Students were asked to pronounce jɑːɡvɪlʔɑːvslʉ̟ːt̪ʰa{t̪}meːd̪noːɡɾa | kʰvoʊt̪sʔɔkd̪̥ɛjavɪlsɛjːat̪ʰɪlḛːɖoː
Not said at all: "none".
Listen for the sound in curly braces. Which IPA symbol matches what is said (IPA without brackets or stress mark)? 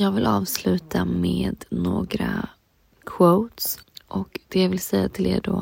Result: none